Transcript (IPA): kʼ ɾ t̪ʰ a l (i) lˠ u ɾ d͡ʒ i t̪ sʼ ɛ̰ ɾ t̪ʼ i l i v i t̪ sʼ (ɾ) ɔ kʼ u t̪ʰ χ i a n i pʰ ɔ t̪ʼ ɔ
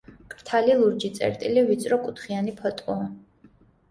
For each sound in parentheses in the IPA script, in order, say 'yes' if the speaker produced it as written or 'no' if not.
yes, yes

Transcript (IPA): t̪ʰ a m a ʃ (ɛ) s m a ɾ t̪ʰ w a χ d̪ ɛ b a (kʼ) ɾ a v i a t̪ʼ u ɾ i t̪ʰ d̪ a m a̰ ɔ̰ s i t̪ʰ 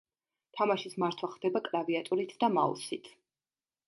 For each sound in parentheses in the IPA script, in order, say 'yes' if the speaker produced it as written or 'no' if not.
no, yes

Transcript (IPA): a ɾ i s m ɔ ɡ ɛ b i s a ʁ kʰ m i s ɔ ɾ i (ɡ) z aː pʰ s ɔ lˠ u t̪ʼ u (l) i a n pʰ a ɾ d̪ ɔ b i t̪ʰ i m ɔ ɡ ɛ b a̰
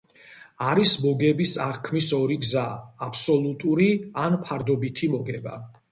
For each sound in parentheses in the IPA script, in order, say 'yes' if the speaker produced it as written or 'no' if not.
yes, no

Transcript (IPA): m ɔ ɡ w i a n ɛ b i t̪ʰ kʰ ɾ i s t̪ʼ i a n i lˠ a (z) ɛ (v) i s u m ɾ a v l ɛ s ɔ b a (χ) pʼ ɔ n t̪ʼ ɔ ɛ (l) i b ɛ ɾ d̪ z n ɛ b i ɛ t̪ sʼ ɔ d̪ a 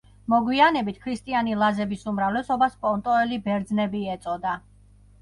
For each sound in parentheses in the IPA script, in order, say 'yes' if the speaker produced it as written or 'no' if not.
yes, no, no, yes

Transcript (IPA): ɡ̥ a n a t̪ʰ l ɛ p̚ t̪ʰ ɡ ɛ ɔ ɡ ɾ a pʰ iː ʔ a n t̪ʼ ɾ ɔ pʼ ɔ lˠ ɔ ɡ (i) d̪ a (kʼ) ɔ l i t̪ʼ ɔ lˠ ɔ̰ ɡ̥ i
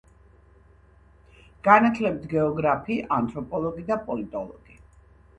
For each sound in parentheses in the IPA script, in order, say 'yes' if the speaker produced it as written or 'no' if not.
yes, no

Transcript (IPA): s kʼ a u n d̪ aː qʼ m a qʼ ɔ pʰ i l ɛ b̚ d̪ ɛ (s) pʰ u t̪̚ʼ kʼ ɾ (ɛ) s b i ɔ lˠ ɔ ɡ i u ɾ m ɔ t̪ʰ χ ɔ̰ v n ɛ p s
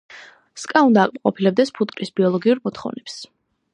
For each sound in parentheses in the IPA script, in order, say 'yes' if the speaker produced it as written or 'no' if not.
yes, no

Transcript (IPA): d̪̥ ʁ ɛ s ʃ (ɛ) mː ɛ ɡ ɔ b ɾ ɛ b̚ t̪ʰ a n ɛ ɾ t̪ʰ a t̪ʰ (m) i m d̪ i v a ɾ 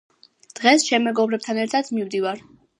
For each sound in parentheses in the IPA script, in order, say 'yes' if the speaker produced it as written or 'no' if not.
yes, yes

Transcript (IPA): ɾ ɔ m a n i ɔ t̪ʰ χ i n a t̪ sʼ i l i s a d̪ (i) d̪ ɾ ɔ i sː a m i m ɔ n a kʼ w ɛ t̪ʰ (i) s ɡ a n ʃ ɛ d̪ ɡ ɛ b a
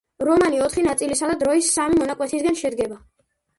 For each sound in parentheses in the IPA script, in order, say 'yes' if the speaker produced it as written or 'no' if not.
no, yes

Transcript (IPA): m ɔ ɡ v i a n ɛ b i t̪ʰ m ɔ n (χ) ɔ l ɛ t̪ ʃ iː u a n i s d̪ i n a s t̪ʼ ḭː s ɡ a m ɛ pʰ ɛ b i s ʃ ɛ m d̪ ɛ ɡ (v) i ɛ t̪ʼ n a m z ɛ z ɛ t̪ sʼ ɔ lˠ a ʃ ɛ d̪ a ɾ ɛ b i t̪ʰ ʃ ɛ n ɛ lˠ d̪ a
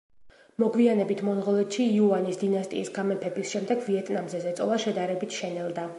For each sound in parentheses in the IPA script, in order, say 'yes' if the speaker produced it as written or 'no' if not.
no, yes

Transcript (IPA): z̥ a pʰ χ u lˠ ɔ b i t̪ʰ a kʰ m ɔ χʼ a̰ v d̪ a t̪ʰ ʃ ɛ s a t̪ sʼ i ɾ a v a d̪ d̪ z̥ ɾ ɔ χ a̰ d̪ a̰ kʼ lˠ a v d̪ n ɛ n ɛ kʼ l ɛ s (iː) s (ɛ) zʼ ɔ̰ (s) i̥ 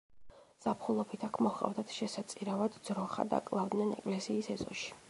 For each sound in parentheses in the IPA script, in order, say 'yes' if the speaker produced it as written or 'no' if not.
yes, yes, no

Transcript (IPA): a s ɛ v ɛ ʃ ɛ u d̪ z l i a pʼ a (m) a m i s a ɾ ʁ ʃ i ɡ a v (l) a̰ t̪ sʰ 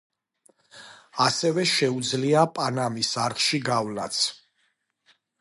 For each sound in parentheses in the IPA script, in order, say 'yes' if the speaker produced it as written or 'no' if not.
no, yes

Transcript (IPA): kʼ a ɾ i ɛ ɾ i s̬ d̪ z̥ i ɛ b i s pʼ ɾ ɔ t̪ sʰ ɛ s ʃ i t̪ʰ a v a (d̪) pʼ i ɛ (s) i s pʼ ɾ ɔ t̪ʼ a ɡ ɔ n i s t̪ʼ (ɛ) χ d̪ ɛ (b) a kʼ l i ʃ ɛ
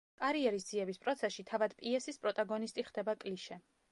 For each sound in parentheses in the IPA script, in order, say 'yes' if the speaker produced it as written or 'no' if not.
yes, yes, no, yes

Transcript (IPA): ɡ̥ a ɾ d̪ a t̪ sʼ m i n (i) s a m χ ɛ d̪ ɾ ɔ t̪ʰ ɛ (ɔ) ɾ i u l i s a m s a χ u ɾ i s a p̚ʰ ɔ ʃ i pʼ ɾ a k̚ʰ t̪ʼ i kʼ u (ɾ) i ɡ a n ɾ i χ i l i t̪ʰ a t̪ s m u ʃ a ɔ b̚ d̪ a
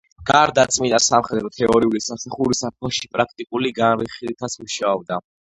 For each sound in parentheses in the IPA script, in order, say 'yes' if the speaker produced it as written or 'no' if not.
no, yes, no

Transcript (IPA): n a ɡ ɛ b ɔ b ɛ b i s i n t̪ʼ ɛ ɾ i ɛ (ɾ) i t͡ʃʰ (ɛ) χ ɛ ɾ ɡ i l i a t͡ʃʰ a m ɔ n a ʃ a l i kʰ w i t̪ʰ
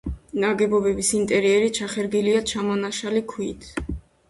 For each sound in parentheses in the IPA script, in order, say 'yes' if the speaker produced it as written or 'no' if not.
yes, no

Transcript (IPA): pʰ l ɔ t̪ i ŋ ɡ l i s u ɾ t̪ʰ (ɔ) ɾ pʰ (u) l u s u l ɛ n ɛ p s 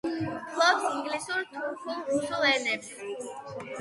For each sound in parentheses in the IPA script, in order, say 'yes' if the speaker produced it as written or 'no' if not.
no, yes

